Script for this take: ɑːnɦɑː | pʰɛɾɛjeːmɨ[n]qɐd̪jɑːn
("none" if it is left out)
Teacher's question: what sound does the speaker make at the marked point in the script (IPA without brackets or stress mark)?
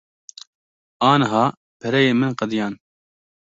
n